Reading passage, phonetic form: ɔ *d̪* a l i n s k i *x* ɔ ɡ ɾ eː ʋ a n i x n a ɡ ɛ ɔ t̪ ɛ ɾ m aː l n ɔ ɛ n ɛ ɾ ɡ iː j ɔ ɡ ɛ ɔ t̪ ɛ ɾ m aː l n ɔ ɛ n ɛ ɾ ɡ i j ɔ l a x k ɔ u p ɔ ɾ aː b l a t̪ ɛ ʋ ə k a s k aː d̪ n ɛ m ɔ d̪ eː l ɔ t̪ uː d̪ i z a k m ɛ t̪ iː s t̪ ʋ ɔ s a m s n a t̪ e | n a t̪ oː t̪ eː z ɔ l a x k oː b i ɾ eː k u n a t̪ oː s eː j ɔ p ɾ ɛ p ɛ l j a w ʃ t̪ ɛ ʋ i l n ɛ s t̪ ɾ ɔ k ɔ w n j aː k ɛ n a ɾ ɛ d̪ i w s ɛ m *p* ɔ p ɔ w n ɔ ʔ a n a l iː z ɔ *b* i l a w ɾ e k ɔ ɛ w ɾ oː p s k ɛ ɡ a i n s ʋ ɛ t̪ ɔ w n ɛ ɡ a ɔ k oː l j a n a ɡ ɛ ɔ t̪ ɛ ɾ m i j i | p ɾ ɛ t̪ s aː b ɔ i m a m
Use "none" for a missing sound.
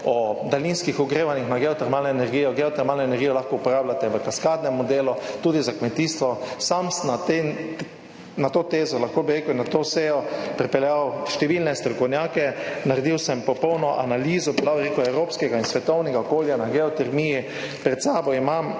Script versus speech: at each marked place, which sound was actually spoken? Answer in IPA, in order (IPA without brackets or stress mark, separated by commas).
d̪, x, p, b